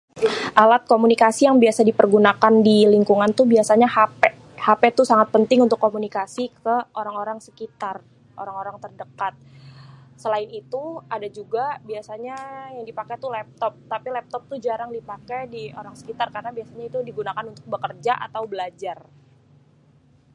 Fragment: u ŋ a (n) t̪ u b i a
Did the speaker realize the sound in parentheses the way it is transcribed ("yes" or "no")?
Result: yes